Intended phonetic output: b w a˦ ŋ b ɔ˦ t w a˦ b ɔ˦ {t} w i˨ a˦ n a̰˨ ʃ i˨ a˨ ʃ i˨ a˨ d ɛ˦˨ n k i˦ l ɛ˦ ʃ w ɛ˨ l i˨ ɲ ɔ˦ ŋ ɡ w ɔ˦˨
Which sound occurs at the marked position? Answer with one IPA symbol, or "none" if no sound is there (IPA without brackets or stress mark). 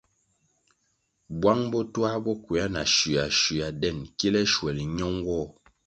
k